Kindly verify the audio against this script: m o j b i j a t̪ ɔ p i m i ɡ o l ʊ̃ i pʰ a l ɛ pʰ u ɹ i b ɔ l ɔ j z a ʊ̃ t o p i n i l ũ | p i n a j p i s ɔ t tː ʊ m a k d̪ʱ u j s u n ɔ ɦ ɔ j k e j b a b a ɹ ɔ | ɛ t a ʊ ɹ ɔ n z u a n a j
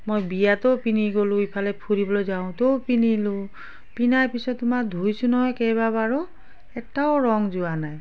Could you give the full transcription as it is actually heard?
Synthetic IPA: m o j b i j a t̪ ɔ p i n i ɡ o l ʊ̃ i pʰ a l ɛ pʰ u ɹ i b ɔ l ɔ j z a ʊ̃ t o p i n i l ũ | p i n a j p i s ɔ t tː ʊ m a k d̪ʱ u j s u n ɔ ɦ ɔ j k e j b a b a ɹ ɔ | ɛ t a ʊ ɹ ɔ ŋ z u a n a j

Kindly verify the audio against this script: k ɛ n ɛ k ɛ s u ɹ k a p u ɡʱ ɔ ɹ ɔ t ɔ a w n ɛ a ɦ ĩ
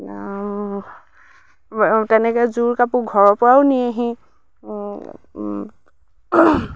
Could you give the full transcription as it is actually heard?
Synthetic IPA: t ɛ n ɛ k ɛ z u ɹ k a p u ɡʱ ɔ ɹ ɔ p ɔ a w n i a ɦ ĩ

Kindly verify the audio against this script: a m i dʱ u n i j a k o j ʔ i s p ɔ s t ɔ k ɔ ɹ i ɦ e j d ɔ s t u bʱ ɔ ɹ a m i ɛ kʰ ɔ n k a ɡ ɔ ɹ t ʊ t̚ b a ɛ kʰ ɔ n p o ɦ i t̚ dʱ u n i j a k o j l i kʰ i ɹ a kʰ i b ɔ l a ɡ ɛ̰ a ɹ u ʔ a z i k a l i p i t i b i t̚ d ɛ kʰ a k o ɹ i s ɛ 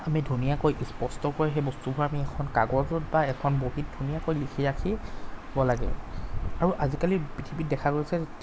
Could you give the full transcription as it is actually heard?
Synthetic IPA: a m i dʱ u n i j a k o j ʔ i s p ɔ s t ɔ k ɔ ɹ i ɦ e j b ɔ s t u bʱ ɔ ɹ a m i ɛ kʰ ɔ n k a ɡ ɔ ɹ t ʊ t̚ b a ɛ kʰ ɔ n b o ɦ i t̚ dʱ u n i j a k o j l i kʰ i ɹ a kʰ i b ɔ l a ɡ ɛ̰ a ɹ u ʔ a z i k a l i p i tʰ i b i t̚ d ɛ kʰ a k o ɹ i s ɛ

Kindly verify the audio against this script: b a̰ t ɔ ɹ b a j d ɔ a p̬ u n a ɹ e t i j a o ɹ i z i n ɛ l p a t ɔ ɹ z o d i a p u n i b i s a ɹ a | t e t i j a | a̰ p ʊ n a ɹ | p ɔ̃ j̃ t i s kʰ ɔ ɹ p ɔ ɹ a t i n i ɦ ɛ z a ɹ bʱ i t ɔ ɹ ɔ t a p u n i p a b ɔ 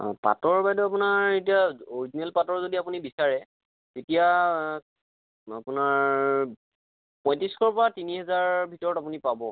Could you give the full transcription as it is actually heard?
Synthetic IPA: p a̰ t ɔ ɹ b a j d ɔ a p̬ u n a ɹ e t i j a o ɹ i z i n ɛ l p a t ɔ ɹ z o d i a p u n i b i s a ɹ ɛ | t e t i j a | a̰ p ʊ n a ɹ | p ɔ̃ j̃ t i s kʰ ɔ ɹ p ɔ ɹ a t i n i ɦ ɛ z a ɹ bʱ i t ɔ ɹ ɔ t a p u n i p a b ɔ

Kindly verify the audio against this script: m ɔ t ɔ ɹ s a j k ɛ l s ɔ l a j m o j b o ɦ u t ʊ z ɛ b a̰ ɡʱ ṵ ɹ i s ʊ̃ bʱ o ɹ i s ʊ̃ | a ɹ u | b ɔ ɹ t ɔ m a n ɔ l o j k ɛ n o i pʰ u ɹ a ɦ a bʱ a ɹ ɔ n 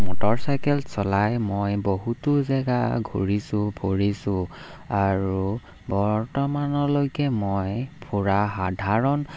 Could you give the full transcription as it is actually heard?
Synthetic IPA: m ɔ t ɔ ɹ s a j k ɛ l s ɔ l a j m o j b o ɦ u t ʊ z ɛ ɡ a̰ ɡʱ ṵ ɹ i s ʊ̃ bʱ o ɹ i s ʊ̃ | a ɹ u | b ɔ ɹ t ɔ m a n ɔ l o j k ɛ m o j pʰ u ɹ a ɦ a dʱ a ɹ ɔ n

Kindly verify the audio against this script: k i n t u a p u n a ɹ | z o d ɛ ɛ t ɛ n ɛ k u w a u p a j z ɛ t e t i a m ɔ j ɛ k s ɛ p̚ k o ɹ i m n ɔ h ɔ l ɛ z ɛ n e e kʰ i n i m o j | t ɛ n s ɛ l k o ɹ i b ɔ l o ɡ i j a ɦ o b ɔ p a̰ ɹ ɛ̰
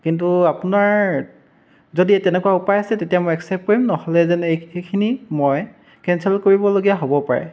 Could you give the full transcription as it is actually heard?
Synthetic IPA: k i n t u a p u n a ɹ | z o d i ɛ t ɛ n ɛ k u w a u p a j s ɛ t e t i a m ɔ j ɛ k s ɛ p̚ k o ɹ i m n ɔ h ɔ l ɛ z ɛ n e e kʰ i n i m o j | k ɛ n s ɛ l k o ɹ i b ɔ l o ɡ i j a ɦ o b ɔ p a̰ ɹ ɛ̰

